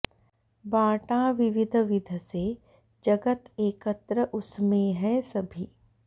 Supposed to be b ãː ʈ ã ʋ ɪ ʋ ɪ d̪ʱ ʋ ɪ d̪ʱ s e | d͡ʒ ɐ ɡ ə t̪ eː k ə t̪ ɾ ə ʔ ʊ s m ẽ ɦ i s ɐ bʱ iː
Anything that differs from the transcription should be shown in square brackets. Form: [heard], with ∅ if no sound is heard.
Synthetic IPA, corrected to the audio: b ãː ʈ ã ʋ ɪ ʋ ɪ d̪ʱ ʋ ɪ d̪ʱ s e | d͡ʒ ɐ ɡ ə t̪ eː k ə t̪ ɾ ə ʔ ʊ s m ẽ ɦ [ɛ] s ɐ bʱ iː